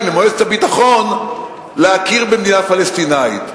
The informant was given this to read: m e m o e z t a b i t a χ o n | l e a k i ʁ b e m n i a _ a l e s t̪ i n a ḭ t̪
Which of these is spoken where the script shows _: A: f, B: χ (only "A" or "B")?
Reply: A